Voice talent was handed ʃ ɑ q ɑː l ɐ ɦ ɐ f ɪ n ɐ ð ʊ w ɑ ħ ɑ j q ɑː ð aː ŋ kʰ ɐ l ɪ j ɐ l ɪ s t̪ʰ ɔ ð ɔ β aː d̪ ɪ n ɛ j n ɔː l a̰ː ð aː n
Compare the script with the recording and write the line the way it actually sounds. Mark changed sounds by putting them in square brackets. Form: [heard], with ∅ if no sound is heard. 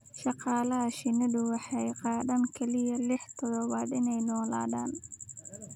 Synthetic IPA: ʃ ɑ q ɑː l ɐ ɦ ɐ [ʃ] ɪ n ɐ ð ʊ w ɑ ħ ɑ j q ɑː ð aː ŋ kʰ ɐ l ɪ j ɐ l ɪ [ħ] t̪ʰ ɔ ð ɔ β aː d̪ ɪ n ɛ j n ɔː l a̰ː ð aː n